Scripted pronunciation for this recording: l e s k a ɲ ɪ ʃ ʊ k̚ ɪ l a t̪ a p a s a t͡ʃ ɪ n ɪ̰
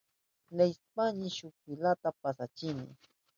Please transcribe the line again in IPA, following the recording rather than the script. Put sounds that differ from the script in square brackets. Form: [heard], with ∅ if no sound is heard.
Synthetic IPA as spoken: l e s [p] a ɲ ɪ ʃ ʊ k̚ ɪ l a t̪ a p a s a t͡ʃ ɪ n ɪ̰